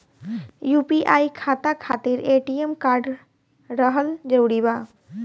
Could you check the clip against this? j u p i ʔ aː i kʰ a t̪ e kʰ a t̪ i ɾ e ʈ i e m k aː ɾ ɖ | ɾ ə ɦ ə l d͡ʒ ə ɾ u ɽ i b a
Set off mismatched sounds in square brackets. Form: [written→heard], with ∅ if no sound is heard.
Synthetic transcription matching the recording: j u p i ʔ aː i kʰ a t̪ [e→a] kʰ a t̪ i ɾ e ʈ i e m k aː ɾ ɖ | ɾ ə ɦ ə l d͡ʒ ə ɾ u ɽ i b a